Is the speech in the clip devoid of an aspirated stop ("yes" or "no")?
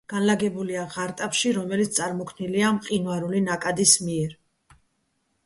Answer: no